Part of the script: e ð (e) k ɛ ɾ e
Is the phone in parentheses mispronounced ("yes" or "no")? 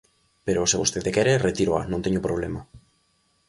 no